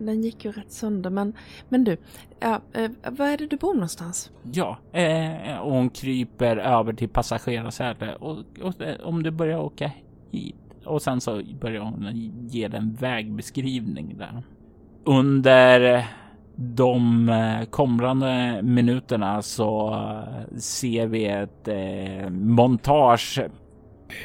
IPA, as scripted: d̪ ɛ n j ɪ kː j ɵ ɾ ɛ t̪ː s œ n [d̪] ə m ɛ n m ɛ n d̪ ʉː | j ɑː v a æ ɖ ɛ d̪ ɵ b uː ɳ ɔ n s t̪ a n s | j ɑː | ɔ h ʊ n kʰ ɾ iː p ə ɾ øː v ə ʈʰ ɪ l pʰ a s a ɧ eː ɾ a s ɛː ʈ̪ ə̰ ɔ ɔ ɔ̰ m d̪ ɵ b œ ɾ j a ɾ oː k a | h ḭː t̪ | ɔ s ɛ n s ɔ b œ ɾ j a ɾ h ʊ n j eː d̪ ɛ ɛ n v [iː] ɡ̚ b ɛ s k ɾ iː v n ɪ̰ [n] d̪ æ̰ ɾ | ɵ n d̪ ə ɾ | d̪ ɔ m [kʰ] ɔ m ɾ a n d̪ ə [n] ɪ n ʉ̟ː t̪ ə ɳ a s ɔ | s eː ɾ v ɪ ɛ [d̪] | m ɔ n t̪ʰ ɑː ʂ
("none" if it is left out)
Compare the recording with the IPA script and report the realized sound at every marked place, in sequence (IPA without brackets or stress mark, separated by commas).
d̪, ɛː, ŋ, kʰ, m, t̪